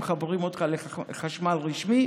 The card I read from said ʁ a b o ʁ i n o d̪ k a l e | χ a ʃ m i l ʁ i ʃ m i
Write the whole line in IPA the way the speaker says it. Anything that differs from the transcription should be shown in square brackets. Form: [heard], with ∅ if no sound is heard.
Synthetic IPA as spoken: [χ] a b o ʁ i [m] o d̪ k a l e | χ a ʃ m [a] l ʁ i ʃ m i

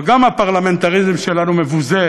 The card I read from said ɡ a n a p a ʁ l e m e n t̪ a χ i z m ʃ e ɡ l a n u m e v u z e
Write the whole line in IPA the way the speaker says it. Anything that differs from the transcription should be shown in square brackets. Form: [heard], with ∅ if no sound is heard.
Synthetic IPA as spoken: ɡ a [m] a p a ʁ l [a] m e n t̪ a [ʁ] i z m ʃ e [∅] l a n u m e v u z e

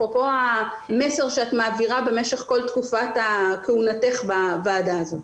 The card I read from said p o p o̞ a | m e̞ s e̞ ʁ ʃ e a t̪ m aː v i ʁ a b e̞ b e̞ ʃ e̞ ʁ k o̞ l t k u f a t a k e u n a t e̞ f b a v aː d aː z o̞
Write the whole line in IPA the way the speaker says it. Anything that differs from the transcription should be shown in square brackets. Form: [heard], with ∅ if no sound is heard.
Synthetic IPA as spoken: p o p o̞ a | m e̞ s e̞ ʁ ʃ e a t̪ m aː v i ʁ a b e̞ [m] e̞ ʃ e̞ [χ] k o̞ l t k u f a t a k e u n a t e̞ [χ] b a v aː d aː z o̞

